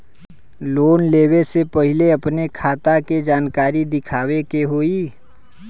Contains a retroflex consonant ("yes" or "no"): no